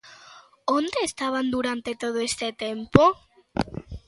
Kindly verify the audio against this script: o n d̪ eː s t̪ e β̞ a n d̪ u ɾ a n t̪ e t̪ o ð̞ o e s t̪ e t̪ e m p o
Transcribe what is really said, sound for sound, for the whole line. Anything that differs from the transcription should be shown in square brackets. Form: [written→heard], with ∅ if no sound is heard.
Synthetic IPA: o n d̪ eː s t̪ [e→a] β̞ a n d̪ u ɾ a n t̪ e t̪ o ð̞ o e s t̪ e t̪ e m p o